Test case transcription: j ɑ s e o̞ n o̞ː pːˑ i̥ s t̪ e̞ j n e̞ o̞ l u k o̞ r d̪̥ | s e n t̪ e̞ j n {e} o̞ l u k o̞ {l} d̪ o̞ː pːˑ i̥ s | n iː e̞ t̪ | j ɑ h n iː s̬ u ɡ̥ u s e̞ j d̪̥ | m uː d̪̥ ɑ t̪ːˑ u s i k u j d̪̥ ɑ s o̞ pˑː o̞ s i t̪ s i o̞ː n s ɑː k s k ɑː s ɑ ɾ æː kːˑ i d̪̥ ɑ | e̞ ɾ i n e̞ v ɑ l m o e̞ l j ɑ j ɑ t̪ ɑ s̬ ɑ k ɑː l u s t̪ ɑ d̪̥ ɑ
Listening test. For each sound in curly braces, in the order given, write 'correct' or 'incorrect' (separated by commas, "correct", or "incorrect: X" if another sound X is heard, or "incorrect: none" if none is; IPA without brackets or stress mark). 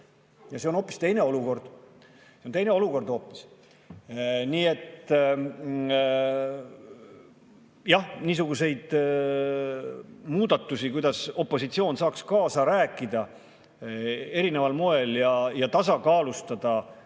correct, incorrect: r